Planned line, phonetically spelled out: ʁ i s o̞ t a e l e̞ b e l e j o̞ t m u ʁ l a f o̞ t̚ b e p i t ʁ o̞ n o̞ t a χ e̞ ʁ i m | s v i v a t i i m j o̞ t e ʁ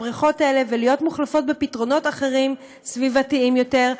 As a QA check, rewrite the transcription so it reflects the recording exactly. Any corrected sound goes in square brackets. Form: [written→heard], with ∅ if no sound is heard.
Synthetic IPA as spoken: ʁ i [s→χ] o̞ t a e l e̞ [b→v] e l [e→i] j o̞ t m u [ʁ→χ] l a f o̞ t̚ b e p i t ʁ o̞ n o̞ t a χ e̞ ʁ i m | s v i v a t i i m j o̞ t e ʁ